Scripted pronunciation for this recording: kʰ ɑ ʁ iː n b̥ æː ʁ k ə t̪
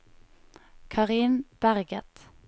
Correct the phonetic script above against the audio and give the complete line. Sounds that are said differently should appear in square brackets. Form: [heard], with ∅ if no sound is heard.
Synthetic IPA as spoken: kʰ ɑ ʁ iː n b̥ [æ] ʁ [ɡ] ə t̪